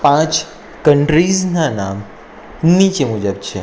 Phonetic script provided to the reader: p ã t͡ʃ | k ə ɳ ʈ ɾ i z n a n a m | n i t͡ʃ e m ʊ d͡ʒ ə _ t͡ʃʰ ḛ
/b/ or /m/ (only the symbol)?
b